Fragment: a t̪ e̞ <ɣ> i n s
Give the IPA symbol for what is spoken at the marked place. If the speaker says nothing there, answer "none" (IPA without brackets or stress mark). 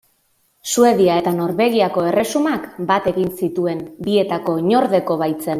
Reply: ɣ